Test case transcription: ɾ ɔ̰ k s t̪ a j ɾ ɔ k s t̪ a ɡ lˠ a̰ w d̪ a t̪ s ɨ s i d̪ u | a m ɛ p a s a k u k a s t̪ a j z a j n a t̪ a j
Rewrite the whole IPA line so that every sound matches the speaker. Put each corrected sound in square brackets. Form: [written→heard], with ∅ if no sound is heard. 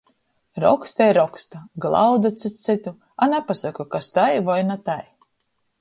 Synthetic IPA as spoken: ɾ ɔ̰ k s t̪ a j ɾ ɔ k s t̪ a ɡ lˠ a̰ w d̪ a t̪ s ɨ s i [d̪→t̪] u | a [m→n] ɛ p a s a k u k a s t̪ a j [z→v] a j n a t̪ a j